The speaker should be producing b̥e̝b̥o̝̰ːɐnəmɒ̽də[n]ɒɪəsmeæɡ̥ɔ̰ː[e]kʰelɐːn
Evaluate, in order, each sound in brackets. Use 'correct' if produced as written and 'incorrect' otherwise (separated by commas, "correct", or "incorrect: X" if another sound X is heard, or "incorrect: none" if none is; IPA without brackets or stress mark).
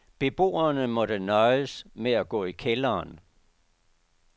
correct, incorrect: i